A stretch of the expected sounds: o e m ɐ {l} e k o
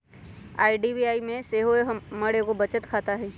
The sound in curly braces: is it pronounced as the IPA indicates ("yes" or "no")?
no